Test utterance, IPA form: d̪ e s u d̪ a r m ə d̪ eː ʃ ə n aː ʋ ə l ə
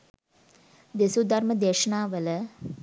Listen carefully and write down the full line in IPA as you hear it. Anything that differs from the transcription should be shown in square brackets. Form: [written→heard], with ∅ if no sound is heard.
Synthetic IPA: d̪ e s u d̪ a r m ə d̪ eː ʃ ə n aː ʋ ə l ə